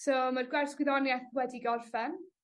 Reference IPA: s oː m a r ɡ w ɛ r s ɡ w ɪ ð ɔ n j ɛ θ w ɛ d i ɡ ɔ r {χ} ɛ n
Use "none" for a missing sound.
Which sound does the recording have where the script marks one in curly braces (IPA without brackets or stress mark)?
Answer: f